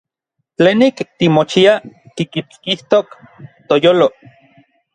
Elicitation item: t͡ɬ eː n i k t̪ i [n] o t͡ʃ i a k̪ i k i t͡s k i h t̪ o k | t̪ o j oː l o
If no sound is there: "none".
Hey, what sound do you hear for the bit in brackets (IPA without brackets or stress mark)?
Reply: m